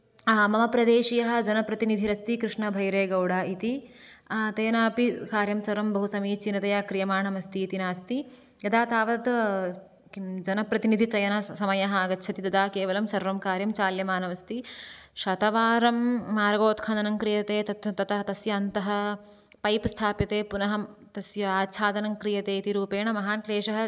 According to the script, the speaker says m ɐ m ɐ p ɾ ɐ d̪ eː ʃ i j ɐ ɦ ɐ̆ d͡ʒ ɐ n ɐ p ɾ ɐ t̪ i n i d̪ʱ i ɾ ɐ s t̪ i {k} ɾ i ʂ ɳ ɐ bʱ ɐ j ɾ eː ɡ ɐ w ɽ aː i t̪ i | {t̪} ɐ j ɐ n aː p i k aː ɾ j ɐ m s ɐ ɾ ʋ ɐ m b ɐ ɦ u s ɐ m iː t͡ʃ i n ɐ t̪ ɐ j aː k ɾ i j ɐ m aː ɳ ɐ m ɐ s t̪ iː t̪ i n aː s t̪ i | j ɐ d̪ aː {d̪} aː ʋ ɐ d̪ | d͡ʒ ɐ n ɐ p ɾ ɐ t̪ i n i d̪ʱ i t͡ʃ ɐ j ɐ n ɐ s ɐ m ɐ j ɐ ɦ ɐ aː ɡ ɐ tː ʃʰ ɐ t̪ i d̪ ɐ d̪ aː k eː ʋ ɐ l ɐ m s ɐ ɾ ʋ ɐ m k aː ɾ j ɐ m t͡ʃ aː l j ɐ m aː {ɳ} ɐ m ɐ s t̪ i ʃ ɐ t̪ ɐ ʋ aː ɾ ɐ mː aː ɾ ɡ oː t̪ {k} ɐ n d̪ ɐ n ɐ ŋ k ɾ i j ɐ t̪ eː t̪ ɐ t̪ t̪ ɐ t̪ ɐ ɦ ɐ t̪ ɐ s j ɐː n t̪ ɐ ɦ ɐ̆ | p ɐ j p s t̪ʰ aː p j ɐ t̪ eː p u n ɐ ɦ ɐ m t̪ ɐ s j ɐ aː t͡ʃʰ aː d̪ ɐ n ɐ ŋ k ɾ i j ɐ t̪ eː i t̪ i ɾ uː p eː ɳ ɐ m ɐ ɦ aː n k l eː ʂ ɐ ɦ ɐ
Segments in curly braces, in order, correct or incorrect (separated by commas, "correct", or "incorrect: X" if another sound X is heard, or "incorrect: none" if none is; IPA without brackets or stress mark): correct, correct, incorrect: t̪, incorrect: n, incorrect: kʰ